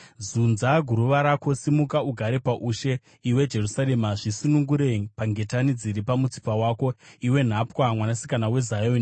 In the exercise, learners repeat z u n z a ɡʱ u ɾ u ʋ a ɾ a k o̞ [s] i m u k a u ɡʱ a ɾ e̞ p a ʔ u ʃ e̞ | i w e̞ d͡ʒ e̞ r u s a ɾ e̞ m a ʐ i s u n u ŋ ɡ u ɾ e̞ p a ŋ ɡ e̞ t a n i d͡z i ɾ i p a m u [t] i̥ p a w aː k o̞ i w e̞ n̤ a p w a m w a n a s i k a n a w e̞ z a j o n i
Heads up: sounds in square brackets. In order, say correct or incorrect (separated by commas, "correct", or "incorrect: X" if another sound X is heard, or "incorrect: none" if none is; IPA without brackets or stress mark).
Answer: correct, incorrect: t͡s